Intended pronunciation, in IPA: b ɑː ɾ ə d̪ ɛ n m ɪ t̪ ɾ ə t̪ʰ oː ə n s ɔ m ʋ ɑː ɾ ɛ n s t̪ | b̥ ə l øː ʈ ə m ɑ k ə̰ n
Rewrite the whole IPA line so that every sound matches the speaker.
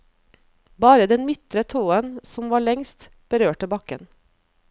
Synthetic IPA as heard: b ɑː ɾ ə d̪ ɛ n m ɪ t̪ ɾ ə t̪ʰ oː ə n s ɔ m ʋ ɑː ɭ ɛ ŋ s t̪ | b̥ ə ɾ øː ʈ ə b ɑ k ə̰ n